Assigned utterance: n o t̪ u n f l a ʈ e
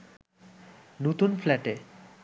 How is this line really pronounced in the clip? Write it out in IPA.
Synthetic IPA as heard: n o t̪ u n f l ɛ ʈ e